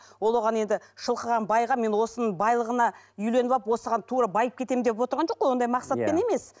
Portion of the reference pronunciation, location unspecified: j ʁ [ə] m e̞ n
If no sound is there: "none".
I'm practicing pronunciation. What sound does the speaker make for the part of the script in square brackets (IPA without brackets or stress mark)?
ɑ